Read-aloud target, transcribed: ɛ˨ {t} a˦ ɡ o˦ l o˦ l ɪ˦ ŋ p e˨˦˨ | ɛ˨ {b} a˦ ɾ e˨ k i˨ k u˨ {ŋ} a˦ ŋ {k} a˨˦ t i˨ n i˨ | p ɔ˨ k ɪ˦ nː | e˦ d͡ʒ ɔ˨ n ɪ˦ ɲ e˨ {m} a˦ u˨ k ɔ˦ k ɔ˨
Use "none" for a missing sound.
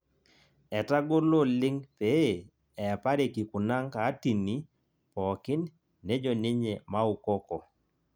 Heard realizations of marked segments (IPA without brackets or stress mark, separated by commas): t, p, n, k, m